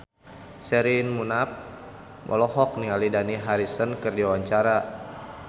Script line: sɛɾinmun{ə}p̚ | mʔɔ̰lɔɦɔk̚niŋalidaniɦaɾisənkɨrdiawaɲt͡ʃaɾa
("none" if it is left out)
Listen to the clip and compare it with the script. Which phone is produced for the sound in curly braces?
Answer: a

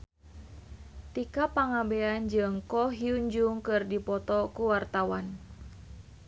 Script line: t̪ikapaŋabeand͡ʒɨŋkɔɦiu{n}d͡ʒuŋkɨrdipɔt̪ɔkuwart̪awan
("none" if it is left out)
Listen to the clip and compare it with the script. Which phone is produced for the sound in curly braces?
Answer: ɲ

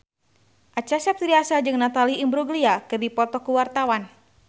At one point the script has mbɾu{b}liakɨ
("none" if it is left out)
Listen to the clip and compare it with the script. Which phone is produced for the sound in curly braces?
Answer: ɡ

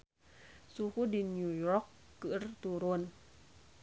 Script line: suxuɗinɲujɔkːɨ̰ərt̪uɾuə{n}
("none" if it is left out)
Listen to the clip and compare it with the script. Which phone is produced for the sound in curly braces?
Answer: n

